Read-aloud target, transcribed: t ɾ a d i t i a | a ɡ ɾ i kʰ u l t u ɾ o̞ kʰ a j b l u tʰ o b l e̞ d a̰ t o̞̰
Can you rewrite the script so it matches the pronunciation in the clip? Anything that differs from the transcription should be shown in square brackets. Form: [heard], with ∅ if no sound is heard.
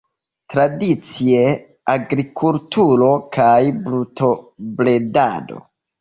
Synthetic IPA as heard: t ɾ a d i [t͡s] i [e] | a ɡ ɾ i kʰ u l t u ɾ o̞ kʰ a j b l u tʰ o b l e̞ d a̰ [d] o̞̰